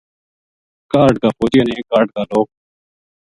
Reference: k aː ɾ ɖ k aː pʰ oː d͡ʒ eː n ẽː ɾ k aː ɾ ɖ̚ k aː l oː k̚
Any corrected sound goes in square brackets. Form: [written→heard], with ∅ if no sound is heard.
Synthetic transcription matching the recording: k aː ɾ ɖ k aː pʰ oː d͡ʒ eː n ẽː [ɾ→∅] k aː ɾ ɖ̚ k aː l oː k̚